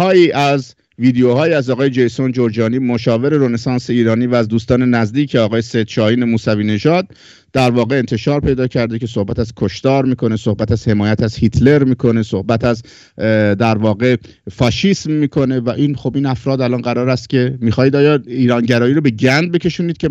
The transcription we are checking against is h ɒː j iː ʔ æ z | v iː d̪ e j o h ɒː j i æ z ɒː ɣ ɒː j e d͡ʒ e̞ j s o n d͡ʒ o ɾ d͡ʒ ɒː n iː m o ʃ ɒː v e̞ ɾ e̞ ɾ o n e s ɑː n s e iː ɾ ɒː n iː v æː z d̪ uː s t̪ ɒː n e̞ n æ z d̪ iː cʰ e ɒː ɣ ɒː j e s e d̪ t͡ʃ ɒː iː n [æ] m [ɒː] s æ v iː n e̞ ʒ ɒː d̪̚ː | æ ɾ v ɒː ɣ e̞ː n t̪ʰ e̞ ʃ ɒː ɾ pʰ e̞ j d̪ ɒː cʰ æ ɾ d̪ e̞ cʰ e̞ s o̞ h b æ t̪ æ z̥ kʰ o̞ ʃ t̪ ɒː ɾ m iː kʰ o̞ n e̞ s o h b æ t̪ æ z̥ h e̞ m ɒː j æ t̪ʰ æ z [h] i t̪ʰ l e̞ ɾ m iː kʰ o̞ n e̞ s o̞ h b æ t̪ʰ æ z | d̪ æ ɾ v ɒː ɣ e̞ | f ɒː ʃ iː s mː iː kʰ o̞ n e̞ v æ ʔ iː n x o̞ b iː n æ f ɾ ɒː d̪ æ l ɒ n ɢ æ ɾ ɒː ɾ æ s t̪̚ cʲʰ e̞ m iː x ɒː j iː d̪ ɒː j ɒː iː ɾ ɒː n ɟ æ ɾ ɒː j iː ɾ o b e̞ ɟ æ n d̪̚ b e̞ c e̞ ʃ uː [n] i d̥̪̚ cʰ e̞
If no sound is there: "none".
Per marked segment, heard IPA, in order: e, uː, h, n

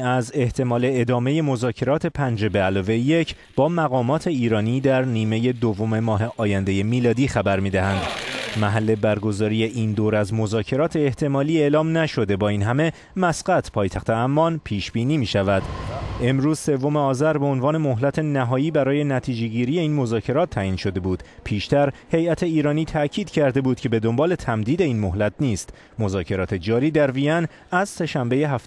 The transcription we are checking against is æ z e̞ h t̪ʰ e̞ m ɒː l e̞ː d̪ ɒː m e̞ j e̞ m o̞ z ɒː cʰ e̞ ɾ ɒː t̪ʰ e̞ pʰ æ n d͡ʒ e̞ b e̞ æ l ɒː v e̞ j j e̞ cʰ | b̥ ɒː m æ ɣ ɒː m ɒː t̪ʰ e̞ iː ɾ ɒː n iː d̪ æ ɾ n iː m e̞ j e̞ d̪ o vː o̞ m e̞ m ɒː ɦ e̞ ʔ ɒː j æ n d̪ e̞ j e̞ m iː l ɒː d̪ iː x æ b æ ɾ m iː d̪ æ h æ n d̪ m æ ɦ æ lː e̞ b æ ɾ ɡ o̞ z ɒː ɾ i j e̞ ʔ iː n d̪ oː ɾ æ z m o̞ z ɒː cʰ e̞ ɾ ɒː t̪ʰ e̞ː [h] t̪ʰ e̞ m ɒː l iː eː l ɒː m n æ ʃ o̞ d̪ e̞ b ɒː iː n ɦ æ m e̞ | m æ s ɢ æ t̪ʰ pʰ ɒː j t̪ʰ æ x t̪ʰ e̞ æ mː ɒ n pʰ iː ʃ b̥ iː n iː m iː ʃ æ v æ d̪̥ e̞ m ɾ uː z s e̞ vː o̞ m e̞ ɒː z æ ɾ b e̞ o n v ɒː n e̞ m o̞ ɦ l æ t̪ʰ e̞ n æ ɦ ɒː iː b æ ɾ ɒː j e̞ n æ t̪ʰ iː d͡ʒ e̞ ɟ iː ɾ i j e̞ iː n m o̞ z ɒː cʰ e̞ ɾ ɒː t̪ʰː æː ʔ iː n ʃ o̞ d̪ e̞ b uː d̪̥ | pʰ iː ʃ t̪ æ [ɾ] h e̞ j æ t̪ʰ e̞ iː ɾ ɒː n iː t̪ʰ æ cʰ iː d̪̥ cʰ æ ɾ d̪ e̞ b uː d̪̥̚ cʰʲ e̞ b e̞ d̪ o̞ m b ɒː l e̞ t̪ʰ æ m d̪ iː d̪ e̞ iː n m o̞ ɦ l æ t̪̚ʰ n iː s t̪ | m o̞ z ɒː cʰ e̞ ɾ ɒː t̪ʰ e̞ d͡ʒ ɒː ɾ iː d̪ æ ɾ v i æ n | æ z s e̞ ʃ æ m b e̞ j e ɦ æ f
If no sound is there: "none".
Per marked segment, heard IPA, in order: h, ɾ

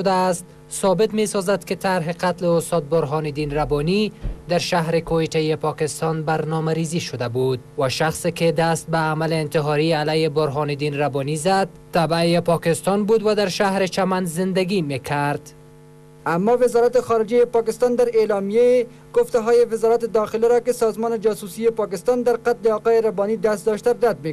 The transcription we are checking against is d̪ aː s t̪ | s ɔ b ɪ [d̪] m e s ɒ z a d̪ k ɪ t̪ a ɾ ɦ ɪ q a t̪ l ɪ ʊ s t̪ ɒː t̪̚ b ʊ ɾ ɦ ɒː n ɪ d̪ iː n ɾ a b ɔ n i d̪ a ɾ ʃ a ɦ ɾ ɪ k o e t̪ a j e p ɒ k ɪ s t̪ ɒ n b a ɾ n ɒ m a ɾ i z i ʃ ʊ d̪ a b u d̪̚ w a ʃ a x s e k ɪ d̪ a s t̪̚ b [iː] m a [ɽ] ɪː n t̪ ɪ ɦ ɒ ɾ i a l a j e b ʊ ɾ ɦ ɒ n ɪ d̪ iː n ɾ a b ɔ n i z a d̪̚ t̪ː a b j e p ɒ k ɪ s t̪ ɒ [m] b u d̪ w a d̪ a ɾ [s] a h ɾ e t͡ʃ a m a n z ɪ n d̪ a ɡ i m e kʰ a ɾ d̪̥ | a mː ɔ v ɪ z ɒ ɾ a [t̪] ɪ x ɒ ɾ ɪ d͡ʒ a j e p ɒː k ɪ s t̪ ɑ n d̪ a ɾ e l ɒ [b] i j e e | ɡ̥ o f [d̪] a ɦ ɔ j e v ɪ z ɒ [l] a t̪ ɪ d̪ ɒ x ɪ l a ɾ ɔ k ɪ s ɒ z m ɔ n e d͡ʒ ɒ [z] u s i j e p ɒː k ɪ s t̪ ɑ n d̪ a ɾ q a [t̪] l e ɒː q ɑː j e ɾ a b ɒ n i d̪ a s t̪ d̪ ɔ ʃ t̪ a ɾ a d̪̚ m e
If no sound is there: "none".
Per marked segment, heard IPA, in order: t̪, aː, l, n, ʃ, t̪, m, t̪, ɾ, s, t̪

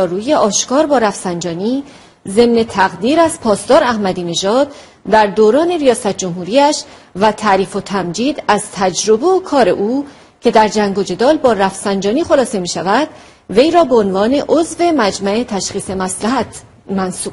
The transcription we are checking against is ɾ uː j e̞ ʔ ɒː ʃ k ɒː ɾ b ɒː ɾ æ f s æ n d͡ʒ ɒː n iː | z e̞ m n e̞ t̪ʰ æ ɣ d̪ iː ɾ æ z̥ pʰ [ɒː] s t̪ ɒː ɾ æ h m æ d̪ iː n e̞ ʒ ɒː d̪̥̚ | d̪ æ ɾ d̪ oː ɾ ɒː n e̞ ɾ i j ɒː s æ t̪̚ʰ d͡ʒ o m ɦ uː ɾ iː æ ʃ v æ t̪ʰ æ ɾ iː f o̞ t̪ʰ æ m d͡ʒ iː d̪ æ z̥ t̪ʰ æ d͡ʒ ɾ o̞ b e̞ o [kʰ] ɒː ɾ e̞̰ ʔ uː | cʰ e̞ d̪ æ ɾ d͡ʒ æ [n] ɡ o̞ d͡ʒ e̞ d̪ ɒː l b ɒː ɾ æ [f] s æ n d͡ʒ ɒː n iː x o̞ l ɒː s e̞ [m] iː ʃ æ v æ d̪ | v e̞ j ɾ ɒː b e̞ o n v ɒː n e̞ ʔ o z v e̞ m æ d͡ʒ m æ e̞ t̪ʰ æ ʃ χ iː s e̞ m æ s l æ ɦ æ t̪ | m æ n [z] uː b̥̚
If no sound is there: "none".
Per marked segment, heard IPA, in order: ɒː, kʰ, ŋ, f, m, s

